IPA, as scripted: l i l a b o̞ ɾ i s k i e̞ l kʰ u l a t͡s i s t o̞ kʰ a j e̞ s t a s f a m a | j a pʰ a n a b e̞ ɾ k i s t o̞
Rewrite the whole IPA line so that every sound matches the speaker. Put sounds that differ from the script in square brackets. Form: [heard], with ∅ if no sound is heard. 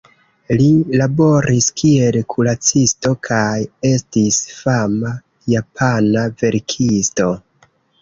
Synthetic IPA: l i l a b o̞ ɾ i s k i e̞ l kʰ u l a t͡s i s t o̞ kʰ a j e̞ s t [i] s f a m a | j a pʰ a n a [v] e̞ ɾ [kʰ] i s t o̞

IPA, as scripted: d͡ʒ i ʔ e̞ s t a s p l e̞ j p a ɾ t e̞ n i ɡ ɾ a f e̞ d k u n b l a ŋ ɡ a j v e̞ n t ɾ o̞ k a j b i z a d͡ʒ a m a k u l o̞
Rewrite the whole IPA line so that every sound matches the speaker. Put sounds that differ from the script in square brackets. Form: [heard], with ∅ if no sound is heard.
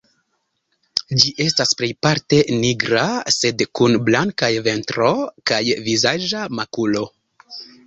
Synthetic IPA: d͡ʒ i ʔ e̞ s t a s p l e̞ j p a ɾ t e̞ n i ɡ ɾ a [s] e̞ d k u n b l a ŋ [k] a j v e̞ n t ɾ o̞ k a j [v] i z a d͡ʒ a m a k u l o̞

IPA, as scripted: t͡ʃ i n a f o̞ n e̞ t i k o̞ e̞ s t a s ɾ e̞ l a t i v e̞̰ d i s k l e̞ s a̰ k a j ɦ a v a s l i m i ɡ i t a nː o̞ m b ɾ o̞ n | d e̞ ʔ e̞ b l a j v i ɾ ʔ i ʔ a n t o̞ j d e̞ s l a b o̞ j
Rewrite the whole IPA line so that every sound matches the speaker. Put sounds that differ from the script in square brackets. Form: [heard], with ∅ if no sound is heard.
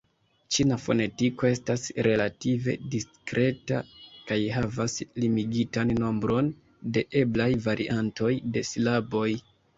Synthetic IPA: t͡ʃ i n a f o̞ n e̞ t i k o̞ e̞ s t a s ɾ e̞ l a t i v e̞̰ d i s k [ɾ] e̞ [t] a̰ k a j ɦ a v a s l i m i ɡ i t a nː o̞ m b ɾ o̞ n | d e̞ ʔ e̞ b l a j v [a] ɾ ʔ i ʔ a n t o̞ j d e̞ s l a b o̞ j

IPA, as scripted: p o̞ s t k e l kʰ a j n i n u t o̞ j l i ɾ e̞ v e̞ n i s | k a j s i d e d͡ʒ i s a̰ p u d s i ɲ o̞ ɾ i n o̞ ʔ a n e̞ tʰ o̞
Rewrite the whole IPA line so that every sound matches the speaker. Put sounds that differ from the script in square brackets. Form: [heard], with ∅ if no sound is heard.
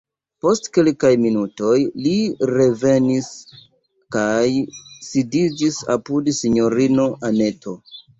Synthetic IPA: p o̞ s t k e l [k] a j [m] i n u t o̞ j l i ɾ e̞ v e̞ n i s | k a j s i d [i] d͡ʒ i s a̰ p u d s i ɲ o̞ ɾ i n o̞ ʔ a n e̞ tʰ o̞

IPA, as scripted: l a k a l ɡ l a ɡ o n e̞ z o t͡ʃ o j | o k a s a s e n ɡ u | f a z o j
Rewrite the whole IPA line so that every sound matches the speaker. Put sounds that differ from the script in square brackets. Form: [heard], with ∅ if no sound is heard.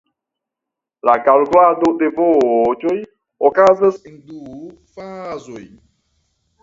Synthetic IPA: l a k a l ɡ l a [d] o [d] e̞ [v] o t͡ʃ o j | o k a [z] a s e n [d] u | f a z o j

